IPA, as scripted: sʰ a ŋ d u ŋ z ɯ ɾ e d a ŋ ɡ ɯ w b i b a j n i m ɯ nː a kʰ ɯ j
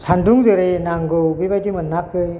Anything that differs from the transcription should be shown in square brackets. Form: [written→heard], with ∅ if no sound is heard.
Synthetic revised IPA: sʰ a [ŋ→n] d u ŋ z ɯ ɾ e [d→n] a ŋ ɡ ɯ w b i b a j [n→d] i m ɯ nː a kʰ ɯ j